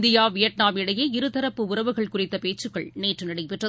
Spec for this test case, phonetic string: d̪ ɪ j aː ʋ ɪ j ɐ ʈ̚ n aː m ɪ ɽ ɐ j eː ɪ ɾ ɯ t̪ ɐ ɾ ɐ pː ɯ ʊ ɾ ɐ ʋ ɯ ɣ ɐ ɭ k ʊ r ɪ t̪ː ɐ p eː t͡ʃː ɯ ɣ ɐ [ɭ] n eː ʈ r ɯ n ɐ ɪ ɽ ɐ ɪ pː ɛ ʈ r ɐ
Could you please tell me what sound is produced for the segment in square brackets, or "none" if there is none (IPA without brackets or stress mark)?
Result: ɭ